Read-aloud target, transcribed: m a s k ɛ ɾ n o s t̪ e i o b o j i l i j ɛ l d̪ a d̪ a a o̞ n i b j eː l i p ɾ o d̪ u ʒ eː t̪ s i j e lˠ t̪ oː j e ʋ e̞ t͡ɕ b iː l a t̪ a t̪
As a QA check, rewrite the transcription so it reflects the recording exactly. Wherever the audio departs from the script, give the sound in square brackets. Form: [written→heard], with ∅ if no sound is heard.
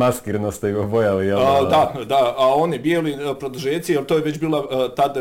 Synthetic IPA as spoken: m a s k [ɛ→i] ɾ n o s t̪ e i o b o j [i→a] l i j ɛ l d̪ a d̪ a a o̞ n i b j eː l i p ɾ o d̪ u ʒ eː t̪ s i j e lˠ t̪ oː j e ʋ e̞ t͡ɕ b iː l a t̪ a [t̪→d̪]